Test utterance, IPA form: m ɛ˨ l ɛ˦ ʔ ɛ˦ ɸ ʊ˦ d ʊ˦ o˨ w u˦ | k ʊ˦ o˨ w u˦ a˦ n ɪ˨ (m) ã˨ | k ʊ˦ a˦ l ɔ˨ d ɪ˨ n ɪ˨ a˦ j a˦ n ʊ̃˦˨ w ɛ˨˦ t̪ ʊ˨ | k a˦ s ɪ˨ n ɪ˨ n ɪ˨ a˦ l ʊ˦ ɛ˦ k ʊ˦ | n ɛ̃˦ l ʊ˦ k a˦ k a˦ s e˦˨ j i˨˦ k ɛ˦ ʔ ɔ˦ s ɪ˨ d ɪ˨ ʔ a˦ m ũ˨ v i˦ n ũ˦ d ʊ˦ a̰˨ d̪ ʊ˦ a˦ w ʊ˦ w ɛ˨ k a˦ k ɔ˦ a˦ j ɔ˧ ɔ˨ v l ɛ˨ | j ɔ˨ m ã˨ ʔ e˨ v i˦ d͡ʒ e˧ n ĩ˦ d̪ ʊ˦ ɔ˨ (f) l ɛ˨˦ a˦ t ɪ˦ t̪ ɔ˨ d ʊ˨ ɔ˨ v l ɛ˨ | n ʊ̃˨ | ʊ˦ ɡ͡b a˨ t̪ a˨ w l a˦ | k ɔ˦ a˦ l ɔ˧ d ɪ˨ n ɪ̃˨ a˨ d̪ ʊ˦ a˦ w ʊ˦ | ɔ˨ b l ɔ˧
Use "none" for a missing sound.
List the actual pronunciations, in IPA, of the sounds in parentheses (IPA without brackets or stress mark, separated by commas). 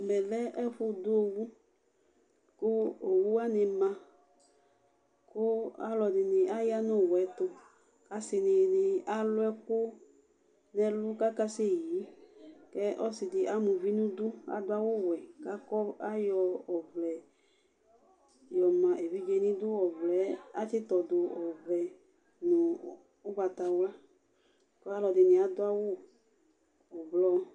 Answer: m, v